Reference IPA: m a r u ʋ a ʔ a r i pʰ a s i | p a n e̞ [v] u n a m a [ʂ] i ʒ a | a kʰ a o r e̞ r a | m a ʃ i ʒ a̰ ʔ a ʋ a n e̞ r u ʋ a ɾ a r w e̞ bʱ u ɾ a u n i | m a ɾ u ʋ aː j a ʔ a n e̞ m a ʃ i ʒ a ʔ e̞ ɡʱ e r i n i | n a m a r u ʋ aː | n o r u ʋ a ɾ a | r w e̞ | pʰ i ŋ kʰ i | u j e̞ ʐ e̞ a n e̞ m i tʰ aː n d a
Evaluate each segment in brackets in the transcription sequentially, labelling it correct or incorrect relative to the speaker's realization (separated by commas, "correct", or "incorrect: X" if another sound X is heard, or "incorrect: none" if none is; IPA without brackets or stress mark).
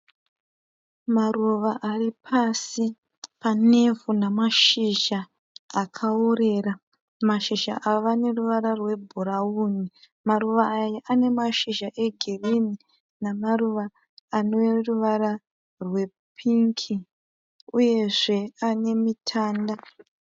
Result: correct, incorrect: ʃ